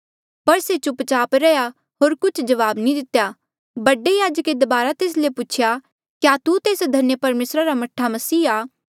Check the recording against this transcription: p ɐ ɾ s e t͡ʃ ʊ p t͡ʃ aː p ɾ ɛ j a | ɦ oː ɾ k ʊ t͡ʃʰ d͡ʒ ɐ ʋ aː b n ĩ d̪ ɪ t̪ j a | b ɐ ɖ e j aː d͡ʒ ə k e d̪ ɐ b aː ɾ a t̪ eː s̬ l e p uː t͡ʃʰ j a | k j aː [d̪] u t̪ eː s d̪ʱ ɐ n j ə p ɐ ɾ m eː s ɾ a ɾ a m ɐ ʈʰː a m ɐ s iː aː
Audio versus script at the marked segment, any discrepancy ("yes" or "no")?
yes